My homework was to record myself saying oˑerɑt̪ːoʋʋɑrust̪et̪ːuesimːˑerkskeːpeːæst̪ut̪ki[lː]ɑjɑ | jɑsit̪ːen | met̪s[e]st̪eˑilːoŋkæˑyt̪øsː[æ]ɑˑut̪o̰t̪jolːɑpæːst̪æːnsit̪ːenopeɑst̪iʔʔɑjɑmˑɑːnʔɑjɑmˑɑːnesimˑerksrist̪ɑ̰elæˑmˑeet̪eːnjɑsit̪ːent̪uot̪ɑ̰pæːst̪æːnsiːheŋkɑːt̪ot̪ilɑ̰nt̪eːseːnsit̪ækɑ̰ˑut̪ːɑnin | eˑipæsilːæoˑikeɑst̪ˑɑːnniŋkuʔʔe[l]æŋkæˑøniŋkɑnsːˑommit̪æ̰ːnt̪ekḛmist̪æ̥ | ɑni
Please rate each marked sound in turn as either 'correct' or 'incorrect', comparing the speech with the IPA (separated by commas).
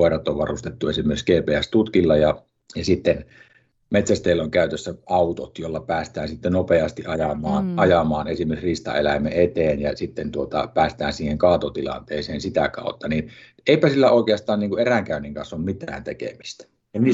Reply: correct, incorrect, correct, incorrect